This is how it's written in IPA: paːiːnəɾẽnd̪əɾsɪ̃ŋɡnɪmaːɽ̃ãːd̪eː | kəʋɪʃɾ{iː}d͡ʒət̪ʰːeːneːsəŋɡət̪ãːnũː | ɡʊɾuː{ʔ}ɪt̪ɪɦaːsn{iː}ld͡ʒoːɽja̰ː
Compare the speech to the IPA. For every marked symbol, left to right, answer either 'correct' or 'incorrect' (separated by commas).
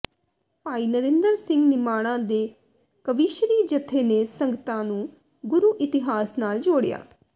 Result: correct, correct, incorrect